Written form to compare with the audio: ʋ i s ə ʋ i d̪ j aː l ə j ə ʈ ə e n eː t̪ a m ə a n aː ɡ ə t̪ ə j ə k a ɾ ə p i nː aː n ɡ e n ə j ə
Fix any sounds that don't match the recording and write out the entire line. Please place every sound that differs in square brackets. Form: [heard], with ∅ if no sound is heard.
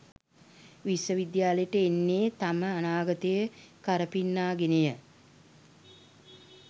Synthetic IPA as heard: ʋ i s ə ʋ i d̪ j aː l ə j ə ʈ ə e [nː] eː t̪ a m ə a n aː ɡ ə t̪ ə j ə k a ɾ ə p i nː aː [∅] ɡ e n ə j ə

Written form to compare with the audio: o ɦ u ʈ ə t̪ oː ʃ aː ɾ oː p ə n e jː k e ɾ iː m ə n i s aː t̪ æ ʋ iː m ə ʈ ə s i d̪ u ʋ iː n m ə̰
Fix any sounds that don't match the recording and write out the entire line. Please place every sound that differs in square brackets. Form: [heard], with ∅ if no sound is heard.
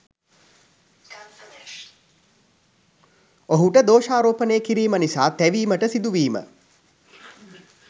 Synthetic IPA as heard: o ɦ u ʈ ə [d̪] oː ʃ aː ɾ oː p ə n e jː k [i] ɾ iː m ə n i s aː t̪ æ ʋ iː m ə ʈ ə s i d̪ u ʋ iː [∅] m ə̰

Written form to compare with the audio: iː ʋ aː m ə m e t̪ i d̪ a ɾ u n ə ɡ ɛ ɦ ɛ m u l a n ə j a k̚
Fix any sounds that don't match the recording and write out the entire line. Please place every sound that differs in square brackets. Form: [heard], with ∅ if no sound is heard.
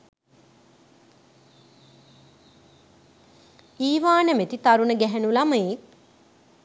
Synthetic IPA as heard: iː ʋ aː [n] ə m e t̪ i [t̪] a ɾ u n ə ɡ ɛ ɦ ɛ [n] u l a [m] ə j [e] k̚

